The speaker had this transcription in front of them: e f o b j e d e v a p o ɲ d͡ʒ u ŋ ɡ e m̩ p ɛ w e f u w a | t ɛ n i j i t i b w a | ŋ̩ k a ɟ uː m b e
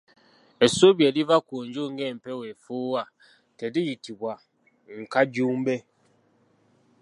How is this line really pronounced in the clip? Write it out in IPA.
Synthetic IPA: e s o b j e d i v a k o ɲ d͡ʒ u ŋ ɡ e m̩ p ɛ w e f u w a | t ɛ d i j i t i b w a | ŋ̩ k a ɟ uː m b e